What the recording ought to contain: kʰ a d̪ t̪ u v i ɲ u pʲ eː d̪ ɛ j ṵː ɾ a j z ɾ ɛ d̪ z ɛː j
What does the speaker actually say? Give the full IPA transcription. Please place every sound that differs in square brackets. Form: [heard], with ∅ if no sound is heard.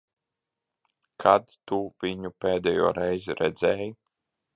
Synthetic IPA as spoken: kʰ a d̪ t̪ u v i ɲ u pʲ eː d̪ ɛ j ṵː ɾ [ɛ] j z ɾ ɛ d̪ z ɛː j